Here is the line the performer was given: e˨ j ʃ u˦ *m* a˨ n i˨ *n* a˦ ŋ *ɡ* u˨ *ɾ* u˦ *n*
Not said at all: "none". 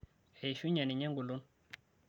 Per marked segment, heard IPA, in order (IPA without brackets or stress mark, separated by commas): ɲ, ɲ, ɡ, l, n